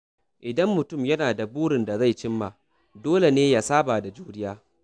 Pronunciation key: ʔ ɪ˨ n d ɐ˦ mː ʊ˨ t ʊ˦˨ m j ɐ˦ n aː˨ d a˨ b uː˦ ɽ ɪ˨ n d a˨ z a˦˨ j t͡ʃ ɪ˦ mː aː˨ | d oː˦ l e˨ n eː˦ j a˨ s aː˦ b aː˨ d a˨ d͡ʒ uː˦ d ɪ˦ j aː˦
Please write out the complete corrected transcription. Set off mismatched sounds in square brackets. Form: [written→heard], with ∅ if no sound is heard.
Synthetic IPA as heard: ʔ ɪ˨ [n→∅] d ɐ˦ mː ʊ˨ t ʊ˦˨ m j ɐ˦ n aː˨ d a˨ b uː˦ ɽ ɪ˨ n d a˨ z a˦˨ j t͡ʃ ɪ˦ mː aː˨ | d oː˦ l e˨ n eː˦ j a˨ s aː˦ b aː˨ d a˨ d͡ʒ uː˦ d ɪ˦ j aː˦

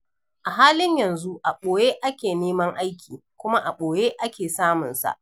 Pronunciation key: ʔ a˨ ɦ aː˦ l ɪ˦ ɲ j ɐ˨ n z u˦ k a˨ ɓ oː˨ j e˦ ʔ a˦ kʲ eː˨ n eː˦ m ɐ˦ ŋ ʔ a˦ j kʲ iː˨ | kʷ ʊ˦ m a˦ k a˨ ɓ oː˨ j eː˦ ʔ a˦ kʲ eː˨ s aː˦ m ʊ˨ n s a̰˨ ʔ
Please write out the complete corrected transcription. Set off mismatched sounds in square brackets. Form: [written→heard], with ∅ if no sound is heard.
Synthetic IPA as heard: ʔ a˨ ɦ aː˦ l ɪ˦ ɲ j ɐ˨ n z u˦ [k→ʔ] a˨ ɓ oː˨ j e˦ ʔ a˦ kʲ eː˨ n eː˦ m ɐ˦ ŋ ʔ a˦ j kʲ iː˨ | kʷ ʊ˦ m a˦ [k→ʔ] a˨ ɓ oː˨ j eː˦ ʔ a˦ kʲ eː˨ s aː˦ m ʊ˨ n s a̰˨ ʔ

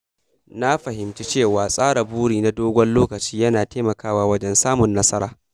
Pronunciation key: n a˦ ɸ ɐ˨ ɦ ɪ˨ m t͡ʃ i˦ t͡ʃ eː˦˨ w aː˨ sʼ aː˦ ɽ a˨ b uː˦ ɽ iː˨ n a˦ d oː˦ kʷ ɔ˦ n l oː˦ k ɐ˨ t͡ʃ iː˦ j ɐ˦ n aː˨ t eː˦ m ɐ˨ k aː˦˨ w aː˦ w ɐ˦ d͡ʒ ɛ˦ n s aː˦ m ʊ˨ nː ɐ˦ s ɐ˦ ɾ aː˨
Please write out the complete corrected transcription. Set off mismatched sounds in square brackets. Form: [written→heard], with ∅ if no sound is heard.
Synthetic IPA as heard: n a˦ ɸ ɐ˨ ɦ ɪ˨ m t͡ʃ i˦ t͡ʃ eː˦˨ w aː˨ sʼ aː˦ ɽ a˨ b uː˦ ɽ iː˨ n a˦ d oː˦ [kʷ→ɡʷ] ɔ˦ n l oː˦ k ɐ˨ t͡ʃ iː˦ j ɐ˦ n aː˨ t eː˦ m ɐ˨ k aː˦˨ w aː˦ w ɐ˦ d͡ʒ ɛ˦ n s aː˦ m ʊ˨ nː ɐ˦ s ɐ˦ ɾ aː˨

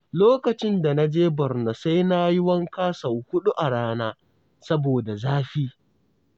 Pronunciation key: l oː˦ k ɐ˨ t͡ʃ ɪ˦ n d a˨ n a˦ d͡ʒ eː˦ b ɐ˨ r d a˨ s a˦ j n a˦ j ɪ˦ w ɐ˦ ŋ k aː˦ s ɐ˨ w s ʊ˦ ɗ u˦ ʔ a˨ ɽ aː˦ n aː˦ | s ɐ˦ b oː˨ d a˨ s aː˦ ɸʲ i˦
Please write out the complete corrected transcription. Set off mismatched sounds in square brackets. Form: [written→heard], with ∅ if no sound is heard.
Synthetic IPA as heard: l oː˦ k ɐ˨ t͡ʃ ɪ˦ n d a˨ n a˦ d͡ʒ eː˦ b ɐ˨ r [d→n] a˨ s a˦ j n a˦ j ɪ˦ w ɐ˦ ŋ k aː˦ s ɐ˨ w [s→h] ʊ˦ ɗ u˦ ʔ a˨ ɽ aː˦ n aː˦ | s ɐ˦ b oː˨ d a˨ [s→z] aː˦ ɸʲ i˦

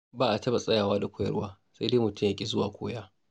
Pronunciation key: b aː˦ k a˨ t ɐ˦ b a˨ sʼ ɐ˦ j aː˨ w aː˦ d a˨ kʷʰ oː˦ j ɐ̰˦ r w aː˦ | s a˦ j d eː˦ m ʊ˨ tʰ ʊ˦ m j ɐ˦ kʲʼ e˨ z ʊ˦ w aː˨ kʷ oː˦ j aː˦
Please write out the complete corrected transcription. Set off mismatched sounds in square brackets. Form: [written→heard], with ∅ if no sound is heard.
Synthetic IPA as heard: b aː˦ [k→ʔ] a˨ t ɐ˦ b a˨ sʼ ɐ˦ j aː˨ w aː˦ d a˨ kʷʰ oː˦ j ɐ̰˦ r w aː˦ | s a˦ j d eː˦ m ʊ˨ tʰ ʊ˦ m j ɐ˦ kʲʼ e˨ z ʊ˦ w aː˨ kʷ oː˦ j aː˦

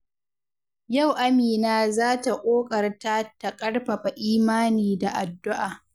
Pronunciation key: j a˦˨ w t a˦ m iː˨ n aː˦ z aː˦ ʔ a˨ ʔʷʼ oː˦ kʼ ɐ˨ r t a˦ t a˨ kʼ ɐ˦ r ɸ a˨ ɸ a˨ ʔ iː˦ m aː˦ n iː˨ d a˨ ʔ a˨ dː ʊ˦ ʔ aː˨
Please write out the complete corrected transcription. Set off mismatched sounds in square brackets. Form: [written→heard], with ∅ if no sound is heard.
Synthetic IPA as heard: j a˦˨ w [t→ʔ] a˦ m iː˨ n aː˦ z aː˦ [ʔ→t] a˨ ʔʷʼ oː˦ kʼ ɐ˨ r t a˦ t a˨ kʼ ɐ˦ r ɸ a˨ ɸ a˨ ʔ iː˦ m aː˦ n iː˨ d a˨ ʔ a˨ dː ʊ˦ ʔ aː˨

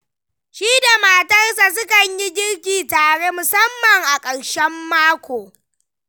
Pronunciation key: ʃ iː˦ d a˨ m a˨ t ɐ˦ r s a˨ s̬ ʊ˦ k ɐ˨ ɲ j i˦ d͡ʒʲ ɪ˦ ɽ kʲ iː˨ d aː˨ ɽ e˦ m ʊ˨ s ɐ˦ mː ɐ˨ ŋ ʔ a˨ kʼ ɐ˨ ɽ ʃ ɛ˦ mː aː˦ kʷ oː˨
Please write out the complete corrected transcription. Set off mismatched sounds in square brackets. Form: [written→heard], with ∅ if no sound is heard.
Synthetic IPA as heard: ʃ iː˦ d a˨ m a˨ t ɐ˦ r s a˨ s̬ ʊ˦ k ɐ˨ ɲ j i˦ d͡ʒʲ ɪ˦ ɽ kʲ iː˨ [d→t] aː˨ ɽ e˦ m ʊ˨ s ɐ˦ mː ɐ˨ ŋ ʔ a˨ kʼ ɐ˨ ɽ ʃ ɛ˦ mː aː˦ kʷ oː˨

